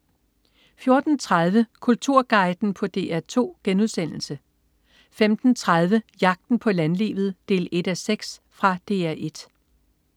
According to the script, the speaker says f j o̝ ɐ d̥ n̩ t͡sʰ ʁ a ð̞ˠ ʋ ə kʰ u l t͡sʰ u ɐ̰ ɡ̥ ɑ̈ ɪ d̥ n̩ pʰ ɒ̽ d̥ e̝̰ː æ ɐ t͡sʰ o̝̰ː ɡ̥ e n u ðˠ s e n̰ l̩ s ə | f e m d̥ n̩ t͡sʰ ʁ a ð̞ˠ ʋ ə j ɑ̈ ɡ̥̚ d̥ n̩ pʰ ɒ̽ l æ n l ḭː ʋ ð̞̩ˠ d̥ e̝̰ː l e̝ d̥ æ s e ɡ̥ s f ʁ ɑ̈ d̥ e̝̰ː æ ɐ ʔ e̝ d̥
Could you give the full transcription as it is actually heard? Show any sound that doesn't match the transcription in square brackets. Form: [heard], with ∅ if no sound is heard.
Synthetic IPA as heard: f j o̝ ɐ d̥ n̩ t͡sʰ ʁ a ð̞ˠ ʋ ə kʰ u l t͡sʰ u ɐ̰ ɡ̥ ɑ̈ ɪ d̥ n̩ pʰ ɒ̽ d̥ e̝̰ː æ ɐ t͡sʰ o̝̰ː ɡ̥ e n u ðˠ s e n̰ l̩ s ə | f e m d̥ n̩ t͡sʰ ʁ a ð̞ˠ ʋ ə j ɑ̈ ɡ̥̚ d̥ n̩ pʰ ɒ̽ l æ n l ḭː ʋ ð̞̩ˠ d̥ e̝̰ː l e̝ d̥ æ s e ɡ̥ s f ʁ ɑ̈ d̥ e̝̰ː æ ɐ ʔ e̝ d̥